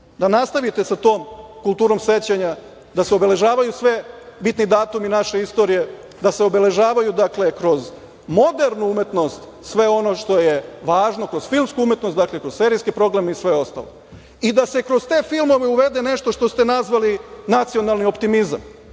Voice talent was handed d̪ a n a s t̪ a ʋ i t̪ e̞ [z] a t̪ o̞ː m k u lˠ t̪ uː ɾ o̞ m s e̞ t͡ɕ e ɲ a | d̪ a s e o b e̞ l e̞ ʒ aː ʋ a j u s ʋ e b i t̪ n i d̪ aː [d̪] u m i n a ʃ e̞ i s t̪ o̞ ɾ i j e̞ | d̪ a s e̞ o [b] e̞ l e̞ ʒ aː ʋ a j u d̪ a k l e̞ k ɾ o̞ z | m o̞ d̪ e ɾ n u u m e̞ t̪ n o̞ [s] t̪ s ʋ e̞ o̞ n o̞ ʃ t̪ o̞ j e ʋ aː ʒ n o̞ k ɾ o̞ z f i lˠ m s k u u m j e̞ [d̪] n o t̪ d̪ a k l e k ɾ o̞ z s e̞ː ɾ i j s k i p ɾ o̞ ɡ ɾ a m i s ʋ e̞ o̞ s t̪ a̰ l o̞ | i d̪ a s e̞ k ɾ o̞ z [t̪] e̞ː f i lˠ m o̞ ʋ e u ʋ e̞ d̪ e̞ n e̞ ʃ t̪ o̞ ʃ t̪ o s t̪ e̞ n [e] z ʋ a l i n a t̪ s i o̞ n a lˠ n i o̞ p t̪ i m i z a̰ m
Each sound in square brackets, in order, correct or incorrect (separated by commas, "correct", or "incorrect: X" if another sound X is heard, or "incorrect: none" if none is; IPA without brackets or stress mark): incorrect: s, incorrect: t̪, correct, correct, incorrect: t̪, correct, incorrect: a